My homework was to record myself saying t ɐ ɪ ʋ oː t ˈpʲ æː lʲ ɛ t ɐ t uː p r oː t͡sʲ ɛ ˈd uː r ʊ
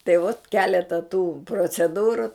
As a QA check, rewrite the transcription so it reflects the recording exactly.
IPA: t ɐ ɪ ʋ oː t ˈkʲ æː lʲ ɛ t ɐ t uː p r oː t͡sʲ ɛ ˈd uː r ʊ